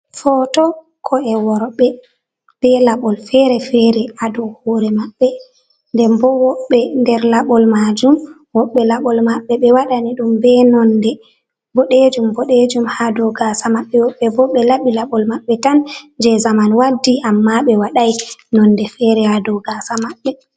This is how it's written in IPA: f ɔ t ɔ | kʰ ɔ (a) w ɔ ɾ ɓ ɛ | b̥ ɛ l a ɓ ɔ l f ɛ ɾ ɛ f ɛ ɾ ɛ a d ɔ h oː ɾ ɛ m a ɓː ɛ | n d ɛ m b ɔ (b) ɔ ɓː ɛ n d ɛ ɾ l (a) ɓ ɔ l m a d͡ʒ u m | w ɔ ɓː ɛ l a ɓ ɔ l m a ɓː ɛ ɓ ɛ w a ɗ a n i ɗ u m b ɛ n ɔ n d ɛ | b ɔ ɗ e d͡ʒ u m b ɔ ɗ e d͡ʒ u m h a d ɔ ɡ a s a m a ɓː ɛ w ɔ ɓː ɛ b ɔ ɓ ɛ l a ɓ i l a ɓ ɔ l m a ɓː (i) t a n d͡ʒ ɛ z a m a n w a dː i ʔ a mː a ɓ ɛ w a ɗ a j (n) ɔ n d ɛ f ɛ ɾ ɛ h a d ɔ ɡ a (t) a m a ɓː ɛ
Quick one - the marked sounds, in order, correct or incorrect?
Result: incorrect, incorrect, correct, incorrect, correct, incorrect

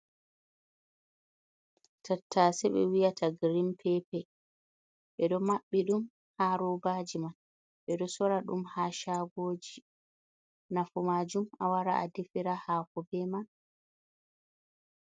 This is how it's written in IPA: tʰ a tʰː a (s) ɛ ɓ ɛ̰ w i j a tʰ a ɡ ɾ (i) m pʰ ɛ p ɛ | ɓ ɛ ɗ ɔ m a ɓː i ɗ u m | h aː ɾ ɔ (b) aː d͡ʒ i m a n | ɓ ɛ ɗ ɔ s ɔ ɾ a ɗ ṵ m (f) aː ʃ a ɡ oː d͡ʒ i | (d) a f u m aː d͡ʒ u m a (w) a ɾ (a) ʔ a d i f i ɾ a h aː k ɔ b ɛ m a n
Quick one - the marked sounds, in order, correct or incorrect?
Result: correct, correct, correct, incorrect, incorrect, correct, correct

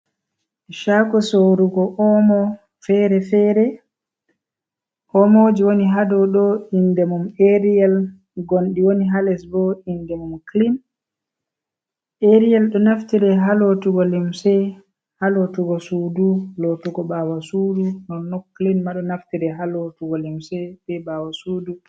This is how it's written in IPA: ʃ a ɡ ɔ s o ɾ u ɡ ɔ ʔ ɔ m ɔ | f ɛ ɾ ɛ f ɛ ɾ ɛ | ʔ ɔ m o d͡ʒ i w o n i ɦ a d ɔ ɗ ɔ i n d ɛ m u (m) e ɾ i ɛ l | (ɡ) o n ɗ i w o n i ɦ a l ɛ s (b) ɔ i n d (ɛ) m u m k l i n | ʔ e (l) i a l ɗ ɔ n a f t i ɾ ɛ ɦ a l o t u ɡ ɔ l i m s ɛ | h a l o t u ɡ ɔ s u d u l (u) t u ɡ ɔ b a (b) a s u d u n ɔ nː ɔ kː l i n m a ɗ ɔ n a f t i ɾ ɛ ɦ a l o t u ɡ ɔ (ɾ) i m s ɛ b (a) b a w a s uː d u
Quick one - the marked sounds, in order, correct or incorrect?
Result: correct, correct, correct, correct, incorrect, incorrect, incorrect, incorrect, incorrect

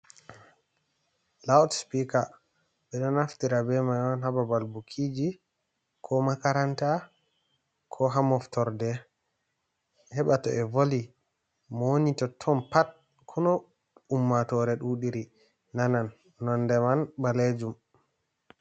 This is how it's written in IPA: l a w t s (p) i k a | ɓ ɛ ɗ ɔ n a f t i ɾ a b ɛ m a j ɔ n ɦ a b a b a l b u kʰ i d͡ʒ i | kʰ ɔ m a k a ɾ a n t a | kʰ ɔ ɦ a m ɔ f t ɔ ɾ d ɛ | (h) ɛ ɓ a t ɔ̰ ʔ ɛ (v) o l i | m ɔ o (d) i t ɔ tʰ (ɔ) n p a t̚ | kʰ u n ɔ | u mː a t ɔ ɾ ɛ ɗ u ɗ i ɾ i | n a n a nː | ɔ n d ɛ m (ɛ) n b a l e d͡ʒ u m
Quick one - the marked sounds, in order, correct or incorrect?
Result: correct, correct, correct, incorrect, correct, incorrect

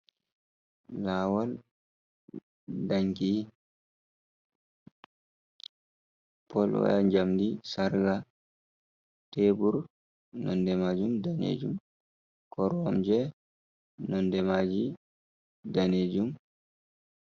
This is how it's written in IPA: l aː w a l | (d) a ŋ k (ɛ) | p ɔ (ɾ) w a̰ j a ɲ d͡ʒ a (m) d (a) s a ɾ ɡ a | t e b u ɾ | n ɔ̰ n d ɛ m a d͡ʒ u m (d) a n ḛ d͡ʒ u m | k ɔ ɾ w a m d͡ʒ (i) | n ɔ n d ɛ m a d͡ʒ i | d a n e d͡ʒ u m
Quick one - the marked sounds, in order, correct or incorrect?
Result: correct, incorrect, incorrect, correct, incorrect, correct, incorrect

